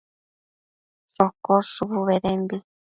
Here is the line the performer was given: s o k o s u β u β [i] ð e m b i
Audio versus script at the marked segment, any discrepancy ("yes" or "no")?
yes